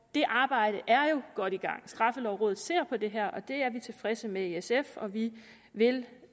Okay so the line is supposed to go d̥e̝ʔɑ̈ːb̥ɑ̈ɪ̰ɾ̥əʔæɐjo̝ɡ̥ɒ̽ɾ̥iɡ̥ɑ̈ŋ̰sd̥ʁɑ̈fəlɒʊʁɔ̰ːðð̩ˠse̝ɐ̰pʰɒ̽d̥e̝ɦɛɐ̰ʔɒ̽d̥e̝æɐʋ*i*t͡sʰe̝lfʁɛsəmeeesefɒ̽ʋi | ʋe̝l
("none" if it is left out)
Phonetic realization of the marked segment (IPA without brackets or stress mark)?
i